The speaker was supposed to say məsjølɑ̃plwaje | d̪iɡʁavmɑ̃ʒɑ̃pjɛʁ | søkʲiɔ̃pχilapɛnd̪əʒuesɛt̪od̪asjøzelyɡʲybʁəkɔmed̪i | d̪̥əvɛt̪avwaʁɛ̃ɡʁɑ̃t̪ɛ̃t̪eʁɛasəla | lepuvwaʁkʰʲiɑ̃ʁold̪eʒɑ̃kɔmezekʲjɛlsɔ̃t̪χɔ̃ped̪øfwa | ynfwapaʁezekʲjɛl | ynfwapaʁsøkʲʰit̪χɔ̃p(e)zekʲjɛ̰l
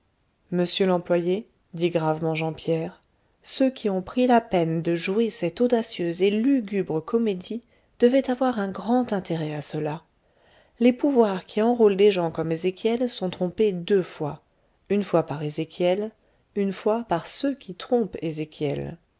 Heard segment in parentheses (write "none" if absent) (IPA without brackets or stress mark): e